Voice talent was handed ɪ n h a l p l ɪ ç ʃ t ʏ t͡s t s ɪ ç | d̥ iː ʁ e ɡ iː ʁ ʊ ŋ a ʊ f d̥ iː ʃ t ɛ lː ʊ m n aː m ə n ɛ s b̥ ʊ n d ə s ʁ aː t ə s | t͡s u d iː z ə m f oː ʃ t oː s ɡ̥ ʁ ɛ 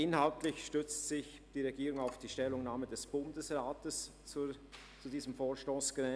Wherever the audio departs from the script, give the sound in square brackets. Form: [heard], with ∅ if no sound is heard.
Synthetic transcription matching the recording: ɪ n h a l [t] l ɪ ç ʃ t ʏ t͡s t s ɪ ç | d̥ iː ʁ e ɡ iː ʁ ʊ ŋ a ʊ f d̥ iː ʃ t ɛ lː ʊ [ŋ] n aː m ə [d] ɛ s b̥ ʊ n d ə s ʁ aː t ə s | t͡s u d iː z ə m f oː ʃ t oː s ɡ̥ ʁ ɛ